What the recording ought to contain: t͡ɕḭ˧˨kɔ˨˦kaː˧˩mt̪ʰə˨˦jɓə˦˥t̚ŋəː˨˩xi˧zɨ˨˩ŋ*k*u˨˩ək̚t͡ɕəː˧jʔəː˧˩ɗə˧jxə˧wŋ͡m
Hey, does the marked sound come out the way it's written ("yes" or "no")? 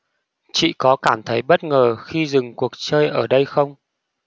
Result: yes